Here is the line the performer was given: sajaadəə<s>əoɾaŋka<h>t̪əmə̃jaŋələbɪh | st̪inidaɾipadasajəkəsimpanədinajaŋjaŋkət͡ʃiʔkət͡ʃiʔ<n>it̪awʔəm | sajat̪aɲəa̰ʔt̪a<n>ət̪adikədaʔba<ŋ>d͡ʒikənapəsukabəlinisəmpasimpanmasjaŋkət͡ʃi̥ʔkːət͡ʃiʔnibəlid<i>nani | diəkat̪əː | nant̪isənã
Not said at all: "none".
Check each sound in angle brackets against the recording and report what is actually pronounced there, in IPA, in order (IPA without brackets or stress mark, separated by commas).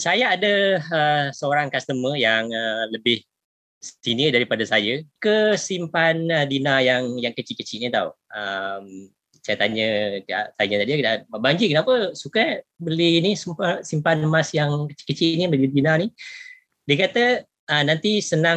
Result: s, s, n, ɲ, ɲ, i